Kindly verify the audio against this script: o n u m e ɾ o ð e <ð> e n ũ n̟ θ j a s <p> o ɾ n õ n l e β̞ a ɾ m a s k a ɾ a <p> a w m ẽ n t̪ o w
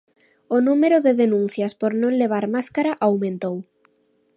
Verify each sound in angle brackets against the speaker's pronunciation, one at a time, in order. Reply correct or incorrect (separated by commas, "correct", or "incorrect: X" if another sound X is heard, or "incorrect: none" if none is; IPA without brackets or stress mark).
correct, correct, incorrect: ʔ